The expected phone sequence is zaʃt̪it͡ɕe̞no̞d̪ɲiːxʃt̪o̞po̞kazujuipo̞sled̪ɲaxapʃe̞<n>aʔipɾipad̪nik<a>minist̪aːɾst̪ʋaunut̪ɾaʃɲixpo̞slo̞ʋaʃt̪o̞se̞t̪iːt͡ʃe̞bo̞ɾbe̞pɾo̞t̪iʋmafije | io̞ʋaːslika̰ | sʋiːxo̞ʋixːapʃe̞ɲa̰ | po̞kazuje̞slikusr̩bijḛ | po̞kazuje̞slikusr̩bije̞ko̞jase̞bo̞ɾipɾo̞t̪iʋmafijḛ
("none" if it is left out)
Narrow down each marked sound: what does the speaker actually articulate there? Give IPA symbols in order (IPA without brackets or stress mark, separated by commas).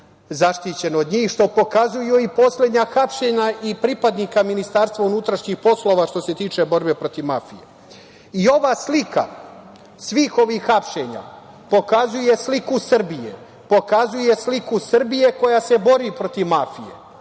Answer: ɲ, a